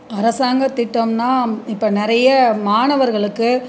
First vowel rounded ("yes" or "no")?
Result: no